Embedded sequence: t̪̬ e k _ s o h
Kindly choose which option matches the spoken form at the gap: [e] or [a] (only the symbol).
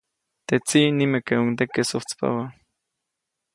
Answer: e